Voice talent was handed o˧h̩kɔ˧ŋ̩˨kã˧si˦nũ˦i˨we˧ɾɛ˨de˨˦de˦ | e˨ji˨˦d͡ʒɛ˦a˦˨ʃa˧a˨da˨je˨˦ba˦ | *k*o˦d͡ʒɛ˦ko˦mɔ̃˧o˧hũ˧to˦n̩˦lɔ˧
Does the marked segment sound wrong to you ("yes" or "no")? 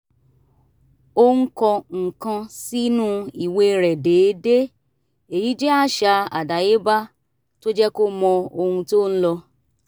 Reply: yes